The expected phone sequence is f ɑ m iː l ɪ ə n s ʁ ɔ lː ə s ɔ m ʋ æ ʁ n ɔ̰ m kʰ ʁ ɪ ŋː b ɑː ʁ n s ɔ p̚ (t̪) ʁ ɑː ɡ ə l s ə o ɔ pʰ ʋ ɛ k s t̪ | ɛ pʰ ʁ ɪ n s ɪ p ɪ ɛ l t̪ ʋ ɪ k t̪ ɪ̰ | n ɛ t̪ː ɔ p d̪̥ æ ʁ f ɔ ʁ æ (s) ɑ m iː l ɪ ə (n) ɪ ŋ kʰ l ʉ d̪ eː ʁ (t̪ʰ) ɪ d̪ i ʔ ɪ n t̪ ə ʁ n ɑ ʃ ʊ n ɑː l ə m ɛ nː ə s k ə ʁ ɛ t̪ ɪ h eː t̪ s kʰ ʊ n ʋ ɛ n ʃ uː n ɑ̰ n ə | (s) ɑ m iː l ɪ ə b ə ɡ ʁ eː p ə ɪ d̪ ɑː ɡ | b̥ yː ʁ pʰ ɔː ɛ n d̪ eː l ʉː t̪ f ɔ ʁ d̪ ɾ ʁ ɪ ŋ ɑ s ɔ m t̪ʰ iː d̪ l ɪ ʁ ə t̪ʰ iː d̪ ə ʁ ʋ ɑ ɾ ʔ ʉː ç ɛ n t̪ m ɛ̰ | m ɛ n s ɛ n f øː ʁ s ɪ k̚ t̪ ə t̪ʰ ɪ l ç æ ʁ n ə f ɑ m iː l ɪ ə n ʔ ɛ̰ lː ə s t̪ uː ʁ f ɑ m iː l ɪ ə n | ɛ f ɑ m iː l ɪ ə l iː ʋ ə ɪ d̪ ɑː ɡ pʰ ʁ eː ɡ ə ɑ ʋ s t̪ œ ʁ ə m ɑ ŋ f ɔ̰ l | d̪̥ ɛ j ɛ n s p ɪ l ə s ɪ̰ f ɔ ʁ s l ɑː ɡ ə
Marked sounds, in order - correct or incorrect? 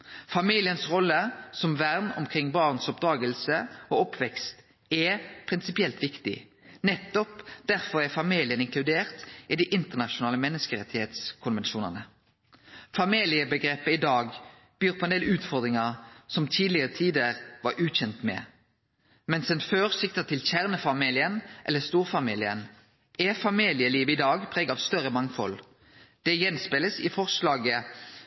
incorrect, incorrect, correct, incorrect, incorrect

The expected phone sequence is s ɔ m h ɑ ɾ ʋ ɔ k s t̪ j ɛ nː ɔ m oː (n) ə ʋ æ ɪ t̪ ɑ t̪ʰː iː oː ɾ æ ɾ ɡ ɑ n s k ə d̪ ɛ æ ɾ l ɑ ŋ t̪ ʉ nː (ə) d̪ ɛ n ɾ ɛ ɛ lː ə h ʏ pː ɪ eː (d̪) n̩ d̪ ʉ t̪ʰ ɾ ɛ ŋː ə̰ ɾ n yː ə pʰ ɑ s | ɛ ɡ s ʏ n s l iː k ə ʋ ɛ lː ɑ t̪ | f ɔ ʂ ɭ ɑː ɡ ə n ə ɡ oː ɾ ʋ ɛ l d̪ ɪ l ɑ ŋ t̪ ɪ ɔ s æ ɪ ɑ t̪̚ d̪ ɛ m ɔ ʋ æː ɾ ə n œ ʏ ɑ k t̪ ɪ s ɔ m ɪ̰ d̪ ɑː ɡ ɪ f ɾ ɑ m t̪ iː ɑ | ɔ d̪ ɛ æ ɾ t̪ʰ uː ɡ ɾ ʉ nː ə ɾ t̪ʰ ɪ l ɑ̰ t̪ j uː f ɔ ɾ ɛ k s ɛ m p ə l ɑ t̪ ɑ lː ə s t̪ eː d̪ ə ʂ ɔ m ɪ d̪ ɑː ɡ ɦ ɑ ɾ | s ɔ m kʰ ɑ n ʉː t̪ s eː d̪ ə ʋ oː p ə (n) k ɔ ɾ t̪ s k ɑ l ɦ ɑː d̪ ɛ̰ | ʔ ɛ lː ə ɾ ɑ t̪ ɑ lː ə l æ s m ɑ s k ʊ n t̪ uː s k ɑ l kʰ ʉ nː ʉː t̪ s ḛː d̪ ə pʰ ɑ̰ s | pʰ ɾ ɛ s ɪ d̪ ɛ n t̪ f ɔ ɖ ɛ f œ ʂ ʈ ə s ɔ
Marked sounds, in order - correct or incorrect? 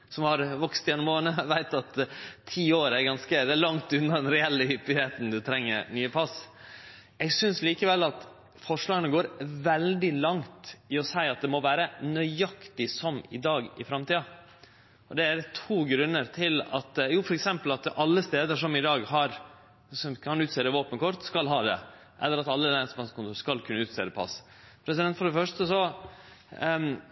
correct, incorrect, incorrect, correct

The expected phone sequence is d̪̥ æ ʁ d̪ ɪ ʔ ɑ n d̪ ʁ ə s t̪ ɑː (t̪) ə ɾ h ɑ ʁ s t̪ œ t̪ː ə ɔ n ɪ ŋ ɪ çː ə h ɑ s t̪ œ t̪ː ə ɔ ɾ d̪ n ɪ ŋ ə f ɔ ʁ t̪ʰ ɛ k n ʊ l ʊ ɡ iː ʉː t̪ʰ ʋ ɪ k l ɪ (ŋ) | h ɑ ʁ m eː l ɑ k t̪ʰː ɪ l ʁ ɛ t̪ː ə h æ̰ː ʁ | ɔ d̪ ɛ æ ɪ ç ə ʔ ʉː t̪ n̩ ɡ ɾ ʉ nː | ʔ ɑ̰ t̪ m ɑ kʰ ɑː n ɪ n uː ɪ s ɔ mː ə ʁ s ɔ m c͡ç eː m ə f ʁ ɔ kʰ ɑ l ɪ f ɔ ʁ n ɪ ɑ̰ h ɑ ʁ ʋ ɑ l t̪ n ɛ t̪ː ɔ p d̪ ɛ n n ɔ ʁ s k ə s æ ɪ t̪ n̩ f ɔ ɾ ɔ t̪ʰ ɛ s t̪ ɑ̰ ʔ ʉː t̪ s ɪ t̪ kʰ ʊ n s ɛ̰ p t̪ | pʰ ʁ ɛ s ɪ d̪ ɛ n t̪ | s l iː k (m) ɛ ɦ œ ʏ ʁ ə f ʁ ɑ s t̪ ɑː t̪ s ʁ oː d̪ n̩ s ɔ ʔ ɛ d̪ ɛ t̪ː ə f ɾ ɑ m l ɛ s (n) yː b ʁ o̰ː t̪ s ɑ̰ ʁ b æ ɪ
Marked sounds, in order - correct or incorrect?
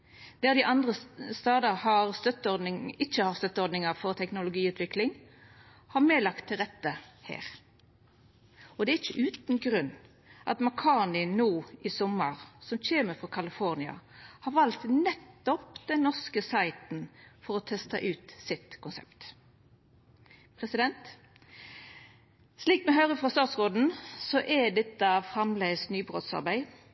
incorrect, correct, correct, correct

